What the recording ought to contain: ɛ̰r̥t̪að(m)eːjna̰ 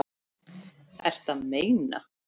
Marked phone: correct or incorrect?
correct